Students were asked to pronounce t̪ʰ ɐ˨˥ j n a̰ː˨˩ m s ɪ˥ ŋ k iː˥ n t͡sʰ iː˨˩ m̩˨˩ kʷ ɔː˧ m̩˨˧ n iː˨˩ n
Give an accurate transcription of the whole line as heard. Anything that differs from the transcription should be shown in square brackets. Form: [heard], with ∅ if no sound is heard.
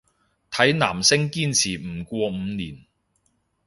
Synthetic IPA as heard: t̪ʰ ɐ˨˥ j n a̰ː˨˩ m s ɪ˥ ŋ k iː˥ n t͡sʰ iː˨˩ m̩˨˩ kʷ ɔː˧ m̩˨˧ n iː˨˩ n

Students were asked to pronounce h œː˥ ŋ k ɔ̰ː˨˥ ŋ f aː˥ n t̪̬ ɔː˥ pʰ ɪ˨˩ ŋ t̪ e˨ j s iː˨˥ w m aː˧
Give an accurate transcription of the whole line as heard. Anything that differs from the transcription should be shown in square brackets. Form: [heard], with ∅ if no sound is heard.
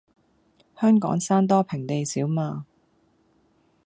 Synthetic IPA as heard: h œː˥ ŋ k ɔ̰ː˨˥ ŋ [s] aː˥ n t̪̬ ɔː˥ pʰ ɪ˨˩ ŋ t̪ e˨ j s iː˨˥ w m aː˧

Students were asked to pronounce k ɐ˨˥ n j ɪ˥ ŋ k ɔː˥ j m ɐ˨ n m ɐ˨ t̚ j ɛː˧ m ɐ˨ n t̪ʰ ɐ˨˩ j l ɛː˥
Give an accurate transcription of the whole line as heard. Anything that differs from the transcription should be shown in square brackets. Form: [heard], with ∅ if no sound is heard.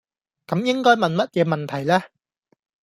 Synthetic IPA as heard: k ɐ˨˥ [m] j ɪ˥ ŋ k ɔː˥ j m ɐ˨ n m [ɐ˥] t̚ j ɛː˧ m ɐ˨ n t̪ʰ ɐ˨˩ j l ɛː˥

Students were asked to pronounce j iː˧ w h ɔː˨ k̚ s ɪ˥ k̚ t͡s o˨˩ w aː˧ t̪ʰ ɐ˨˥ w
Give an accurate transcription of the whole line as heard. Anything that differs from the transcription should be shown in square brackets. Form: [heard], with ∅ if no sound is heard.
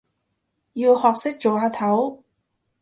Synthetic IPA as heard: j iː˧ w h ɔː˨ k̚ s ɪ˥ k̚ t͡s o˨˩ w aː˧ t̪ʰ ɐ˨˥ w

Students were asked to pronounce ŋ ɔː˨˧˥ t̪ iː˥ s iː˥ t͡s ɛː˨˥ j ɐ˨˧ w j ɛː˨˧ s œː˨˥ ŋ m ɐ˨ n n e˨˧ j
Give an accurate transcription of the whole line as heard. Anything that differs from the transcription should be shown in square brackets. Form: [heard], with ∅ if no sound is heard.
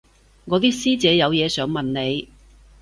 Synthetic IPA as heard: ŋ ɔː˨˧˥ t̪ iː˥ s iː˥ t͡s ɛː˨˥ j ɐ˨˧ w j ɛː˨˧ s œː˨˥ ŋ m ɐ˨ n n e˨˧ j

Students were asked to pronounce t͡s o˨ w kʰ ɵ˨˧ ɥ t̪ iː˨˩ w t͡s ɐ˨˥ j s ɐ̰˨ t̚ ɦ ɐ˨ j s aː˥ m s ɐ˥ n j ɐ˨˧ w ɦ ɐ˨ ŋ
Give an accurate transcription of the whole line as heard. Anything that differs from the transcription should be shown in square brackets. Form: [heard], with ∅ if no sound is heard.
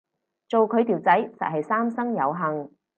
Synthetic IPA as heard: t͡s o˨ w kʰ ɵ˨˧ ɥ t̪ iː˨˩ w t͡s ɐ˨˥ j s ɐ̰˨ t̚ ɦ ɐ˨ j s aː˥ m s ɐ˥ [ŋ] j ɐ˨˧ w ɦ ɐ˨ ŋ

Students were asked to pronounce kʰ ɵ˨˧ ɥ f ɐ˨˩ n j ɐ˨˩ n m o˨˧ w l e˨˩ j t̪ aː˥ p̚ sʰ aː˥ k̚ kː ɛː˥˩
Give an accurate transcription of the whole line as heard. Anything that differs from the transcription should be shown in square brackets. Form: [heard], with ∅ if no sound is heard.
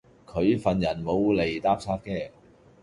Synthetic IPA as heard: kʰ ɵ˨˧ ɥ f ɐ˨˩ n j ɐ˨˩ n m o˨˧ w l e˨˩ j t̪ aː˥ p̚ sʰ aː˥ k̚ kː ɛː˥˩

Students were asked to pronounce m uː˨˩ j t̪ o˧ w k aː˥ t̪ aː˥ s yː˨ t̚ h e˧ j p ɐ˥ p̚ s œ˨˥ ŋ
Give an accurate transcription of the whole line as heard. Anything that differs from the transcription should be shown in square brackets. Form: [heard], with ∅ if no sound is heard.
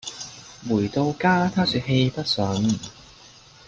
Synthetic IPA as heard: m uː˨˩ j t̪ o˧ w k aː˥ [t̪ʰ] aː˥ s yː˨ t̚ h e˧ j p ɐ˥ [t̚] s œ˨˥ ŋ

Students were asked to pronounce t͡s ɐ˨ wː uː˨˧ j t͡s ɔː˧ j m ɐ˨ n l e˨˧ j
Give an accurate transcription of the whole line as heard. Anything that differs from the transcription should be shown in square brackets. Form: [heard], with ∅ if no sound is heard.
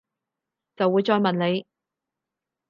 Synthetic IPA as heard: t͡s ɐ˨ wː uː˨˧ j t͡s ɔː˧ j m ɐ˨ n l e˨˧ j

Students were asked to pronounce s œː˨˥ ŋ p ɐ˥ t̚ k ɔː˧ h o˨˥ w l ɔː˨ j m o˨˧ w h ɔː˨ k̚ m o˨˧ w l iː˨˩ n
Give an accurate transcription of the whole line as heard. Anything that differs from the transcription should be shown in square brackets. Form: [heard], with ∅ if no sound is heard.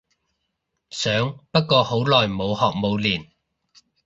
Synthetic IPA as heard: s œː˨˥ ŋ p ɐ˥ t̚ k ɔː˧ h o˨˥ w l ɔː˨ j m o˨˧ w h ɔː˨ k̚ m o˨˧ w l iː˨˩ n

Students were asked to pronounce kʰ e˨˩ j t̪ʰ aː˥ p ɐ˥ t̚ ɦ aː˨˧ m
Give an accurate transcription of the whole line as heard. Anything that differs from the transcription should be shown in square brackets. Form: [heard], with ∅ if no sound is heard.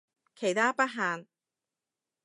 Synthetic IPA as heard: kʰ e˨˩ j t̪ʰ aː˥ p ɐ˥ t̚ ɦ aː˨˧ [n]

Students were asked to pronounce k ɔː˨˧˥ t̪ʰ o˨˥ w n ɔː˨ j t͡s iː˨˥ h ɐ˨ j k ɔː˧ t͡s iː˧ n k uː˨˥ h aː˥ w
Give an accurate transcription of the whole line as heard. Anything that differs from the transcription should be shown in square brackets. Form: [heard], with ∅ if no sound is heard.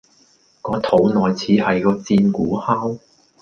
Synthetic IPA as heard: k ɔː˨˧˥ t̪ʰ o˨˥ w n ɔː˨ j [t͡sʰ] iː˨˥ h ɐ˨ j k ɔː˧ t͡s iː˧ n k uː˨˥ h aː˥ w

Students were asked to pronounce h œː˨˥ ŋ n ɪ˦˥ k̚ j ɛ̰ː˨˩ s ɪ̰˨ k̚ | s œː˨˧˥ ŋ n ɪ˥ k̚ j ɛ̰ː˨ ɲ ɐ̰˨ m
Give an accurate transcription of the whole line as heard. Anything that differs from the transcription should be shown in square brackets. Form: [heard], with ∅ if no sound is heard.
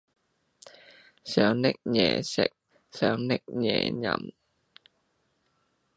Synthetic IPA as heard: [s] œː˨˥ ŋ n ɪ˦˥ k̚ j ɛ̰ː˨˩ s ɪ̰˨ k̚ | s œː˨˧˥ ŋ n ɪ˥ k̚ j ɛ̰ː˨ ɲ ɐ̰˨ m

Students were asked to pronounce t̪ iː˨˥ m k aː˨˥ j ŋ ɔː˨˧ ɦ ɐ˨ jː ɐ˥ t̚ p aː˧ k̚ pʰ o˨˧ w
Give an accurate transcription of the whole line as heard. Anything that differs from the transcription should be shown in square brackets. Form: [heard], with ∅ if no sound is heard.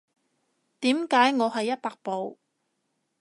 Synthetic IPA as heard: t̪ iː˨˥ m k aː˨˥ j ŋ ɔː˨˧ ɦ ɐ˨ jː ɐ˥ t̚ p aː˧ k̚ [p] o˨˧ w

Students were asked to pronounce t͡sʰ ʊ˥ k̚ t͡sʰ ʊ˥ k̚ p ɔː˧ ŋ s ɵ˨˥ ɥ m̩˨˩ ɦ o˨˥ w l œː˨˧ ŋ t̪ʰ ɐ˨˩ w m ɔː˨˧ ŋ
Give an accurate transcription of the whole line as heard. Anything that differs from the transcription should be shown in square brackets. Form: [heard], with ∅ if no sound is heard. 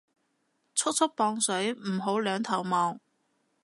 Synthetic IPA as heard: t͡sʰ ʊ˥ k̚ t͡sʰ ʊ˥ k̚ p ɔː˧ ŋ s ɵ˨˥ ɥ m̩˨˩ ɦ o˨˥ w l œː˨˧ ŋ t̪ʰ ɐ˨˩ w m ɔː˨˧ ŋ

